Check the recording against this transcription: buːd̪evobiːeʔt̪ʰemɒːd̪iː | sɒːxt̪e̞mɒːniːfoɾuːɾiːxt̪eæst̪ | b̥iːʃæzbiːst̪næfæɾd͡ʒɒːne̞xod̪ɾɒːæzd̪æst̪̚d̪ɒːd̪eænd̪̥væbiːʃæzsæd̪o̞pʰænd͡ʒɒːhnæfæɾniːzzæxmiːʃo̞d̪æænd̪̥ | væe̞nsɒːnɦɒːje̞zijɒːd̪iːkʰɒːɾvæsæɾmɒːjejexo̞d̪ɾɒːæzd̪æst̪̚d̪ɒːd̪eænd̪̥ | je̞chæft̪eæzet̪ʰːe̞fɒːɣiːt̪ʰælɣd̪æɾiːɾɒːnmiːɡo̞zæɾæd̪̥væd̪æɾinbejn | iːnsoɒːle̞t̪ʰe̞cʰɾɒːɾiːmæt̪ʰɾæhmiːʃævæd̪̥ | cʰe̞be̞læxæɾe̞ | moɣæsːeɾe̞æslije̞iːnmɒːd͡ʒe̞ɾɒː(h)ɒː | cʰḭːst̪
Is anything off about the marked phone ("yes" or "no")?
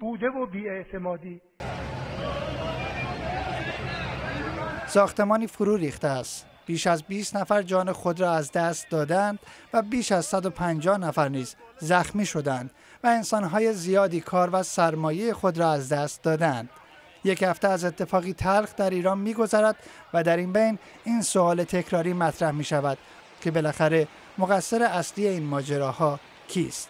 no